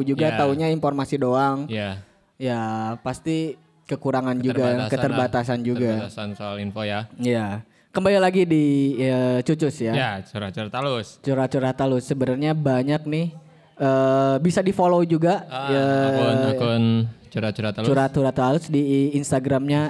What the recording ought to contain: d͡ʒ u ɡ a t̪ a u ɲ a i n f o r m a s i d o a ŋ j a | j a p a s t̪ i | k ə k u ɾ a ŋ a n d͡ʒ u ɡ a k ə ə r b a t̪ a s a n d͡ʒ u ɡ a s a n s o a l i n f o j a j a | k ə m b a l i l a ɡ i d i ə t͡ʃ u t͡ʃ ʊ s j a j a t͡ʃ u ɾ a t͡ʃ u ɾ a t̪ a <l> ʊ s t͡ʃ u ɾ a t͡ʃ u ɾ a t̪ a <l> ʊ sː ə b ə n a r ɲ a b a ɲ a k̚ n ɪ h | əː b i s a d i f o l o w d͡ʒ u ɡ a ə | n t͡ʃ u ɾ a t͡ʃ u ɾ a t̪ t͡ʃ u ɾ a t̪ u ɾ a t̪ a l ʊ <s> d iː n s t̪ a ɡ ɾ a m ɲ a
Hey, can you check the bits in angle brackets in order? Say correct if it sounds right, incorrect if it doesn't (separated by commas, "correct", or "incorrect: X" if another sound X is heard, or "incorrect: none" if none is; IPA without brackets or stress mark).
correct, correct, correct